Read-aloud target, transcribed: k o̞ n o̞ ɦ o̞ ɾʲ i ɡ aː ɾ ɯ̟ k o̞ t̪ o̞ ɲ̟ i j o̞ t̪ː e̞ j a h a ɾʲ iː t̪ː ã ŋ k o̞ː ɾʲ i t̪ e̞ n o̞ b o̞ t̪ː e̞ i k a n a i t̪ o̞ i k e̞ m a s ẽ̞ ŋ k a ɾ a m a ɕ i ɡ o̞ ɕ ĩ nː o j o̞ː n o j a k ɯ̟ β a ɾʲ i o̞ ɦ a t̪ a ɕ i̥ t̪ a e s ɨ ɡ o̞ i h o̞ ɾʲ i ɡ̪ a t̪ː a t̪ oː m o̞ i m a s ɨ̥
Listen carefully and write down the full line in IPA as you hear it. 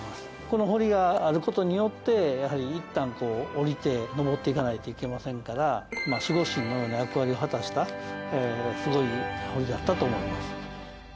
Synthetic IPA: k o̞ n o̞ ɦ o̞ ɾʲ i ɡ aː ɾ ɯ̟ k o̞ t̪ o̞ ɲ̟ i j o̞ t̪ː e̞ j a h a ɾʲ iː t̪ː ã ŋ k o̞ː ɾʲ i t̪ e̞ n o̞ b o̞ t̪ː e̞ i k a n a i t̪ o̞ i k e̞ m a s ẽ̞ ŋ k a ɾ a m a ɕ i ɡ o̞ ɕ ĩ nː o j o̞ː n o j a k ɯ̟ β a ɾʲ i o̞ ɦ a t̪ a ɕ i̥ t̪ a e s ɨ ɡ o̞ i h o̞ ɾʲ i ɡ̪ a t̪ː a t̪ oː m o̞ i m a s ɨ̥